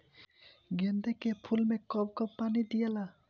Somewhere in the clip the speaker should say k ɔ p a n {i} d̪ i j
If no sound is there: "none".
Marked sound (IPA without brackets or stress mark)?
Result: i